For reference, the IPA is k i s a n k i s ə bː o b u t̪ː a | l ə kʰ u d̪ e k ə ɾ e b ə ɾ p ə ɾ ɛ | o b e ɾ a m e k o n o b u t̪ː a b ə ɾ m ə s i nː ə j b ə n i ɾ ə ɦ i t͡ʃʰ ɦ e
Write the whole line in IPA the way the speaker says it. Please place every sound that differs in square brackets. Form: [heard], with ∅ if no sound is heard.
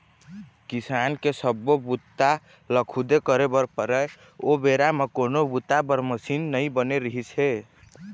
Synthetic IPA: k i s a n k [e] s ə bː o b u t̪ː a | l ə kʰ u d̪ e k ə ɾ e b ə ɾ p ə ɾ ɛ | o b e ɾ a m e k o n o b u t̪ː a b ə ɾ m ə s i nː ə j b ə n [e] ɾ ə ɦ i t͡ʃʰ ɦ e